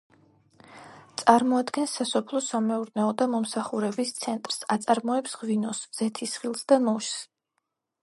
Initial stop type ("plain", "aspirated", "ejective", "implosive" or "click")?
plain